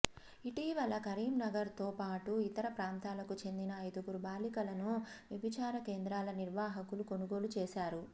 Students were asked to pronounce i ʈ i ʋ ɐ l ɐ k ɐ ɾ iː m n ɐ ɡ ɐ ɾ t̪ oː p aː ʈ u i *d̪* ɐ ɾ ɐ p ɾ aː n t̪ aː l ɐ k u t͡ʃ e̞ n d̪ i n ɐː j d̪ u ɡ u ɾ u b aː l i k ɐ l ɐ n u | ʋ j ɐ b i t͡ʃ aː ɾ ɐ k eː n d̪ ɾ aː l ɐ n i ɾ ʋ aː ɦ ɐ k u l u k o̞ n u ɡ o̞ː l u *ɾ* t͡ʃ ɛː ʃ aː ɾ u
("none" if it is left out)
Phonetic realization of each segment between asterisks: t̪, none

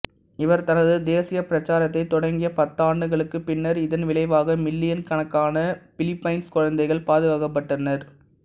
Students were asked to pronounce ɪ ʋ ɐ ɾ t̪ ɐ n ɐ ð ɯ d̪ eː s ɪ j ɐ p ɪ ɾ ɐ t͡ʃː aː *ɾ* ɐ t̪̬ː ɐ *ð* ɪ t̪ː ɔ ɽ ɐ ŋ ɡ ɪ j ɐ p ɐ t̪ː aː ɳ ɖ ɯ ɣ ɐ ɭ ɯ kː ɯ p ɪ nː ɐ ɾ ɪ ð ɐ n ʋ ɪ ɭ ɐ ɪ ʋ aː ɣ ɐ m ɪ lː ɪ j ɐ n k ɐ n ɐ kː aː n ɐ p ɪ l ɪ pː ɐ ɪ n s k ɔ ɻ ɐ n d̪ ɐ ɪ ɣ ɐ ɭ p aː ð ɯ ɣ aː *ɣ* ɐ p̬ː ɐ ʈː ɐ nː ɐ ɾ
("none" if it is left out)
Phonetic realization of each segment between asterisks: ɾ, none, ɣ

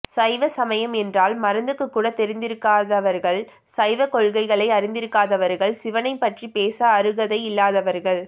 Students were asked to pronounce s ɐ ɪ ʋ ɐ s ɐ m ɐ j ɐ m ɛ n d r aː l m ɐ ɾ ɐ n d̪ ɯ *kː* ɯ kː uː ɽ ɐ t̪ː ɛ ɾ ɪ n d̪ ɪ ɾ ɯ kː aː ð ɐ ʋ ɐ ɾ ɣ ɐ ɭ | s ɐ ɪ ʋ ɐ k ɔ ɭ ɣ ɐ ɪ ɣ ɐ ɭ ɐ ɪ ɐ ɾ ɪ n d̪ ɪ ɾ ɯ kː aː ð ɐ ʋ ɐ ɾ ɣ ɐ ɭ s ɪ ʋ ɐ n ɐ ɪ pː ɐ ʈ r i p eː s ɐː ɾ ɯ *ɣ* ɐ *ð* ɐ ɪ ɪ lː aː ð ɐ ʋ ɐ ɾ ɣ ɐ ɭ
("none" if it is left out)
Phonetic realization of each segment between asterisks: kː, ɣ, ð

